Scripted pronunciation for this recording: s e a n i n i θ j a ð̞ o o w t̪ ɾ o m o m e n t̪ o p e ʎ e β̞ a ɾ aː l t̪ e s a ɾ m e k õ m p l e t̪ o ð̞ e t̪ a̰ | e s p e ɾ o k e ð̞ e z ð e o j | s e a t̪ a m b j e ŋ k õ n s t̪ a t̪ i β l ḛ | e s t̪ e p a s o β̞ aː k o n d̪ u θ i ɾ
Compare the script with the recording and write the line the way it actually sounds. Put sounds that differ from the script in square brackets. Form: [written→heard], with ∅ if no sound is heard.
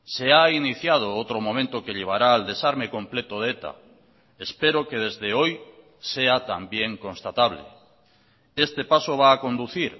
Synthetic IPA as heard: s e a [n→∅] i n i θ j a ð̞ o o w t̪ ɾ o m o m [e→ẽ] n t̪ o [p→k] e ʎ e β̞ a ɾ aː l [t̪→d̪] e s a ɾ m e k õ m p l e t̪ o ð̞ e t̪ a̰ | e s p e ɾ o k e ð̞ e z ð e o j | s e a t̪ a m b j e ŋ k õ n s t̪ a t̪ [i→a] β l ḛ | e s t̪ e p a s o β̞ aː k o n d̪ u θ i ɾ